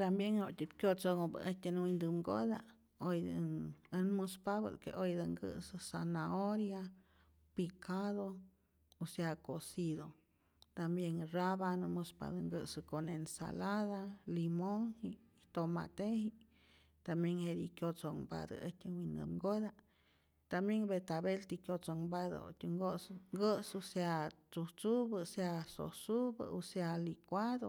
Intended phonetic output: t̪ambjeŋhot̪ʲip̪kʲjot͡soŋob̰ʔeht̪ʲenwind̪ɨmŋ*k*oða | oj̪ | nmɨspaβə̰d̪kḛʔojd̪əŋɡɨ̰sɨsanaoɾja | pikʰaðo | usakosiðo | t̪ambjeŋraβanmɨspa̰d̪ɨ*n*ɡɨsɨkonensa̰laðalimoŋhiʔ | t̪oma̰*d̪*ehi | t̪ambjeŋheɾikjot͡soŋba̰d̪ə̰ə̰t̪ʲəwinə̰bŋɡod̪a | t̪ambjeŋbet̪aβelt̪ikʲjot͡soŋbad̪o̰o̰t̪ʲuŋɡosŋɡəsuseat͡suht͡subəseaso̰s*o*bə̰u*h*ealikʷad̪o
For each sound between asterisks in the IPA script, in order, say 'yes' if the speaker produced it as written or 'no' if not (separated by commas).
no, no, no, no, no